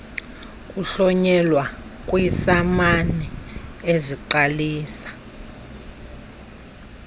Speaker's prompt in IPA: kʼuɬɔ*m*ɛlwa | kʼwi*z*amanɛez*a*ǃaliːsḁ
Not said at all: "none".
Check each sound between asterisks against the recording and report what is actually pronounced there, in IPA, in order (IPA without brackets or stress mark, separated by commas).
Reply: ɲ, s, i